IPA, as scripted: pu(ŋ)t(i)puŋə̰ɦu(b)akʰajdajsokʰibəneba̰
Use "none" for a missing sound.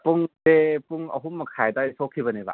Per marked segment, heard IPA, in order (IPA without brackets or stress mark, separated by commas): ŋ, e, m